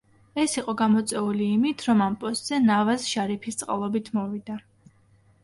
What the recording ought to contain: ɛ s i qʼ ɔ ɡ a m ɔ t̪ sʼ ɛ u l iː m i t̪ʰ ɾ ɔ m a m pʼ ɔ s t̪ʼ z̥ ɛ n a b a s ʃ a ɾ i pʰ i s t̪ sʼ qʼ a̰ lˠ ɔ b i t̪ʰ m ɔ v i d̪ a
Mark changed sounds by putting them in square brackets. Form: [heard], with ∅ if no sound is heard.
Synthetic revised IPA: ɛ s i qʼ ɔ ɡ a m ɔ t̪ sʼ ɛ u l iː m i t̪ʰ ɾ ɔ m a m pʼ ɔ s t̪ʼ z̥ ɛ n a [v] a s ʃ a ɾ i pʰ i s t̪ sʼ qʼ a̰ lˠ ɔ b i t̪ʰ m ɔ v i d̪ a